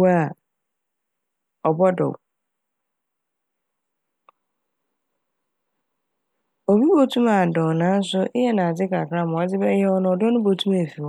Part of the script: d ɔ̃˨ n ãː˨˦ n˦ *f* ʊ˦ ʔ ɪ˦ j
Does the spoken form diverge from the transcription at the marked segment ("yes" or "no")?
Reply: yes